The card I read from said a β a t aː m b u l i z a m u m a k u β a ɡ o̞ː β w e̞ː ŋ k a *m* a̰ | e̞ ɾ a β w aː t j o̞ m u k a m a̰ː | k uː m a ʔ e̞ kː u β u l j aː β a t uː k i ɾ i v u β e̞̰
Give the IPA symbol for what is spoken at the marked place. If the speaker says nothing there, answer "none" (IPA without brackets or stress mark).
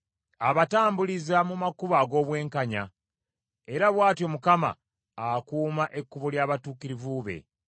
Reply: ɲ